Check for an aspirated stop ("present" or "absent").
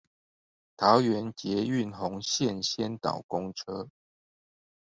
present